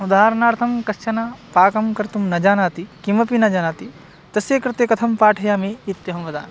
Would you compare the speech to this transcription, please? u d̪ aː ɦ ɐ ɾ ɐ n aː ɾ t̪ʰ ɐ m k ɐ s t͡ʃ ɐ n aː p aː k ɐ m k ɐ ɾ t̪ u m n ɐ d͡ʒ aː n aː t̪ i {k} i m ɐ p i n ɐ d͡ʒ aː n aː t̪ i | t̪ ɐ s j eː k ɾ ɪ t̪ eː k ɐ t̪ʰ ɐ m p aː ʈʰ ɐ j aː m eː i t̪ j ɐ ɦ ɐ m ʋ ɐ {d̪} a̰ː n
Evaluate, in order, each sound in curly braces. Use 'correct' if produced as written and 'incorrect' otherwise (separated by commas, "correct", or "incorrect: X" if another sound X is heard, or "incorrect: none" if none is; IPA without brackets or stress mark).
correct, correct